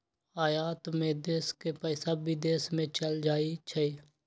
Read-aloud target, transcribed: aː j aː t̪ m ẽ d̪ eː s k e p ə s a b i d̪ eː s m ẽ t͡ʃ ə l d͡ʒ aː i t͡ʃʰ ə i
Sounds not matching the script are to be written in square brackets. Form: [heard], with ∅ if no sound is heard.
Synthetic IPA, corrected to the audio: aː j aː t̪ m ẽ d̪ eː s k e p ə s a b i d̪ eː s m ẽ t͡ʃ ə l d͡ʒ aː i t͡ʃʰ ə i